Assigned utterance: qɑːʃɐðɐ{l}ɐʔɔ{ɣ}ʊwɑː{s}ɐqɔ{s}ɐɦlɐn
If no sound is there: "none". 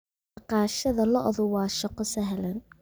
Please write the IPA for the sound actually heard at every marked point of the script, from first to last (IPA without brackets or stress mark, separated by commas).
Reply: l, ð, ʃ, s